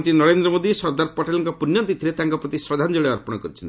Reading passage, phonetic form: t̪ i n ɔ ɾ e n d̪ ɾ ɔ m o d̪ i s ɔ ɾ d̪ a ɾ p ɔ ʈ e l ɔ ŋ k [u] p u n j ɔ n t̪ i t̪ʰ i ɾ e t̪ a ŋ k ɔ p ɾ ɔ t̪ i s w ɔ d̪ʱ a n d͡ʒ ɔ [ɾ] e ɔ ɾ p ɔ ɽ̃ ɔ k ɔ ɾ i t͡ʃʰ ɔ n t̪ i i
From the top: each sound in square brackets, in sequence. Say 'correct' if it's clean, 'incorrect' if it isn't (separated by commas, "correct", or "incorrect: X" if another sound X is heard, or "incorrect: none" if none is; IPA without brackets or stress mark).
incorrect: ɔ, incorrect: ɭ